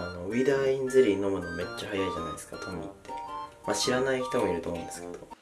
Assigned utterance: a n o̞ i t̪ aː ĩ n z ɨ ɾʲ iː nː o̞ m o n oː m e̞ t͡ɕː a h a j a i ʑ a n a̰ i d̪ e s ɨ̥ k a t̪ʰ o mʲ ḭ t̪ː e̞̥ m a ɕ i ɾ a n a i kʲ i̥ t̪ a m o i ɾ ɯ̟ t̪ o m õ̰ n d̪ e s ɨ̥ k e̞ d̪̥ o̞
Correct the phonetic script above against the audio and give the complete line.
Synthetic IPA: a n o̞ i d̪ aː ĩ n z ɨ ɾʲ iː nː o̞ m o n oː m e̞ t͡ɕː a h a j a i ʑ a n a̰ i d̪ e s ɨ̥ k a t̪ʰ o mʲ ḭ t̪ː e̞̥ m a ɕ i ɾ a n a i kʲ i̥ t̪ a m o i ɾ ɯ̟ t̪ o m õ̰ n d̪ e s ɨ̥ k e̞ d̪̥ o̞